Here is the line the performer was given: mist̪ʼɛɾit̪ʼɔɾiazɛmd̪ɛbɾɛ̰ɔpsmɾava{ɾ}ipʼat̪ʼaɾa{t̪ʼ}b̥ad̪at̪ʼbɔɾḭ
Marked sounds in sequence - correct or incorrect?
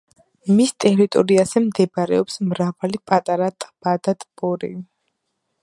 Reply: incorrect: l, correct

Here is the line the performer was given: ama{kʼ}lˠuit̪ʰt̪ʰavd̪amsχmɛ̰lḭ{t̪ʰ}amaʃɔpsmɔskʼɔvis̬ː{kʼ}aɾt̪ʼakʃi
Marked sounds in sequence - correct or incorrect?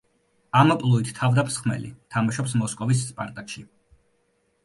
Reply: incorrect: pʼ, correct, incorrect: pʼ

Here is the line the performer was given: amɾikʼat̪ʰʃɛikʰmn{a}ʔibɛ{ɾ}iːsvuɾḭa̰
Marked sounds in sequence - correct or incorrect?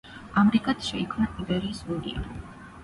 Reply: correct, correct

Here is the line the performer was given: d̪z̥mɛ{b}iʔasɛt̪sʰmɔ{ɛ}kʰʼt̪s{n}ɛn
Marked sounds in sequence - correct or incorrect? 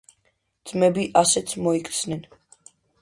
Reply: correct, incorrect: i, correct

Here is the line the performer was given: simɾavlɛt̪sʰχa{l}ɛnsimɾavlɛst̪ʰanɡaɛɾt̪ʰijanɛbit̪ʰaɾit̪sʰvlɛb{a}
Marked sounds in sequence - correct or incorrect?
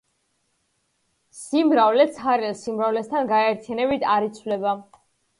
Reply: incorrect: ɾ, correct

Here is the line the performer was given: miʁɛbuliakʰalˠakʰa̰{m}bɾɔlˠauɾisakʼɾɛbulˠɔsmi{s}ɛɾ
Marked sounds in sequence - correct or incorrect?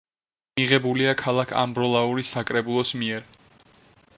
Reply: correct, incorrect: none

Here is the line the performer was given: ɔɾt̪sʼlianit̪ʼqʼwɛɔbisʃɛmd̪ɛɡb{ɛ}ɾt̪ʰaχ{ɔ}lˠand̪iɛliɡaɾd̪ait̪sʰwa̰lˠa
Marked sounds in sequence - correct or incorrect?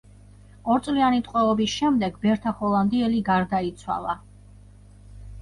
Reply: correct, correct

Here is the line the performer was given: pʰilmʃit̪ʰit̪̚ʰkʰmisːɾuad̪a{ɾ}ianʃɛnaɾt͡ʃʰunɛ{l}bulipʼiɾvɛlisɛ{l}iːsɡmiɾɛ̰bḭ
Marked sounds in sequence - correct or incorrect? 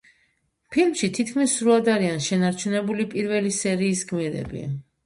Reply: correct, incorrect: none, incorrect: ɾ

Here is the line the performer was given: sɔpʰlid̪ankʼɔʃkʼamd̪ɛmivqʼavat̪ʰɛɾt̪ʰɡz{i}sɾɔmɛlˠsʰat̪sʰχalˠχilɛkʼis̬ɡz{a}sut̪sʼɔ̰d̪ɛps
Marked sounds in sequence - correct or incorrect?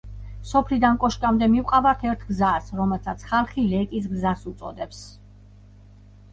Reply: incorrect: a, correct

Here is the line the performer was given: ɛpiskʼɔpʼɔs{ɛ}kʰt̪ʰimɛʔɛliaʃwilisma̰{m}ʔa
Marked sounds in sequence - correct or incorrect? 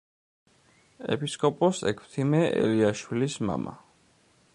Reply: correct, correct

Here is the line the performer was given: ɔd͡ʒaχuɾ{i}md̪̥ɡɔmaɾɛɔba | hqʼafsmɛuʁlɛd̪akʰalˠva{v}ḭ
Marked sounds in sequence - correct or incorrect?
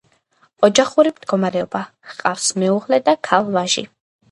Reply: correct, incorrect: ʒ

